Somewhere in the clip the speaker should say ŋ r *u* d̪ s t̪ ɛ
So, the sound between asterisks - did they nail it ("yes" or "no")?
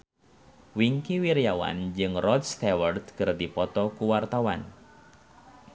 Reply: no